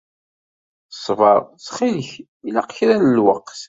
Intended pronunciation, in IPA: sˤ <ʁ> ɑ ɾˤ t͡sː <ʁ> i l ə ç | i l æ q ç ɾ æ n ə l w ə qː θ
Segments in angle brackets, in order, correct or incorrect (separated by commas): incorrect, incorrect